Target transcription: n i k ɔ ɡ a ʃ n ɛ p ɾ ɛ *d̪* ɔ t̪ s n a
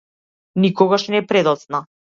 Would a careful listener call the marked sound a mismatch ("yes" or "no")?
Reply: no